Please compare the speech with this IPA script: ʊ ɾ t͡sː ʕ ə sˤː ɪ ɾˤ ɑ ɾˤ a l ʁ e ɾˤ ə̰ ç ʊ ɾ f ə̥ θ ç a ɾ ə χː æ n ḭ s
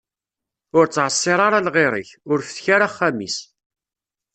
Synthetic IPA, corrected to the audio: ʊ ɾ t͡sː ʕ ə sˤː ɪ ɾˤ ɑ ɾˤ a l ʁ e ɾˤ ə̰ ç ʊ ɾ f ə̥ θ ç a ɾ a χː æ m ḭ s